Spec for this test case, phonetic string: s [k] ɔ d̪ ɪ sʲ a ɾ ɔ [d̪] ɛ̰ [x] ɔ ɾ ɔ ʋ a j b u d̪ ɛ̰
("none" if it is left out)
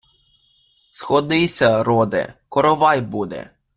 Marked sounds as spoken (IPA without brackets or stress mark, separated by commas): x, d̪, k